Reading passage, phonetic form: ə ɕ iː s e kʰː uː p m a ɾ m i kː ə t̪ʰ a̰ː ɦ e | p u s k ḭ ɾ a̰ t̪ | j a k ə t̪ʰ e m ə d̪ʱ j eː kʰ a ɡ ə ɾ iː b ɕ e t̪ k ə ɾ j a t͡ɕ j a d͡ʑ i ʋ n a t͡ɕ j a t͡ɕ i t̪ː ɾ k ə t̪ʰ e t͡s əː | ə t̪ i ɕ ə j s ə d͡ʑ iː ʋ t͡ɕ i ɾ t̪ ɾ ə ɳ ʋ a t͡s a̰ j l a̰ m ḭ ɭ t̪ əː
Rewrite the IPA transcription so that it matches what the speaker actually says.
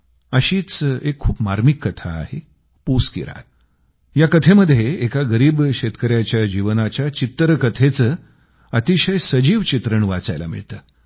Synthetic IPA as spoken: ə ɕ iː t͡s e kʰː uː p m a ɾ m i kː ə t̪ʰ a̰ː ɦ e | p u s k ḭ ɾ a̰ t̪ | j a k ə t̪ʰ e m ə d̪ʱ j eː k a ɡ ə ɾ iː b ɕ e t̪ k ə ɾ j a t͡ɕ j a d͡ʑ i ʋ n a t͡ɕ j a t͡ɕ i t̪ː ɾ k ə t̪ʰ e t͡s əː | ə t̪ i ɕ ə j s ə d͡ʑ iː ʋ t͡ɕ i t̪ ɾ ə ɳ ʋ a t͡s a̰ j l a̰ m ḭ ɭ t̪ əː